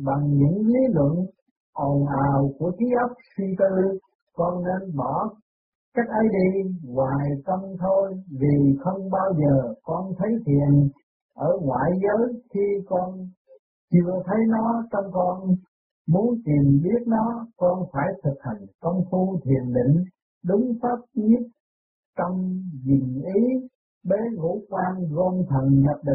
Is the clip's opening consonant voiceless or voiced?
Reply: voiced